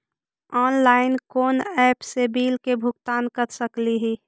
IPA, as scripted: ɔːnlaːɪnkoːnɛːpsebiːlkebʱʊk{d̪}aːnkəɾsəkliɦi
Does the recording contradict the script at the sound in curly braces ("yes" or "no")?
yes